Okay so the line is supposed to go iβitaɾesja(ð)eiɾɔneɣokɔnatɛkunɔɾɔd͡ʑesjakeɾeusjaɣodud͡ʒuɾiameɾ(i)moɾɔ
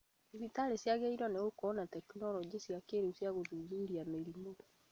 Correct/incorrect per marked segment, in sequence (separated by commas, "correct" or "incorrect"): incorrect, correct